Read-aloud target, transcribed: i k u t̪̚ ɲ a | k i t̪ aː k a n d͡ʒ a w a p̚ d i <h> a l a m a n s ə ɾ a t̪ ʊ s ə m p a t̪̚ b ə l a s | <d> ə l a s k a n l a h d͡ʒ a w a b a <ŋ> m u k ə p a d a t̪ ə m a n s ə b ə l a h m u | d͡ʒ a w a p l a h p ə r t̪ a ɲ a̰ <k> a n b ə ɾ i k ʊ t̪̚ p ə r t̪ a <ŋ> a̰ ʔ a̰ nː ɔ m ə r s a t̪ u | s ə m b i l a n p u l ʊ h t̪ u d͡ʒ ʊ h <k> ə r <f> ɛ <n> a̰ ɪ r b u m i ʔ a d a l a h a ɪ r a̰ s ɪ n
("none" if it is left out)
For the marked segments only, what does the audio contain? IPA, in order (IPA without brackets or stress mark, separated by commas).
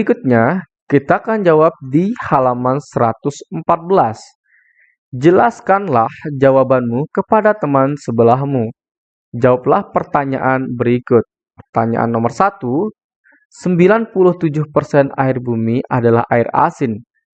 h, d͡ʒ, n, ʔ, ɲ, p, s, n